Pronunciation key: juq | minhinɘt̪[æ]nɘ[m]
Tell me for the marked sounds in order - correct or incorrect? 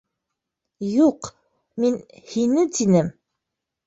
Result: incorrect: i, correct

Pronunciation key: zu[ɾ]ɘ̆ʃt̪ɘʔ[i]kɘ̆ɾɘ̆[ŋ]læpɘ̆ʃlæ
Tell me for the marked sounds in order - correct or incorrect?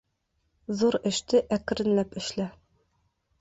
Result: correct, incorrect: æ, incorrect: n

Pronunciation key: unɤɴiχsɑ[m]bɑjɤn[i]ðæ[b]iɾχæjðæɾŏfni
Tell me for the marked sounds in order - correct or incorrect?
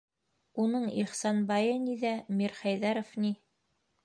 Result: incorrect: n, correct, incorrect: m

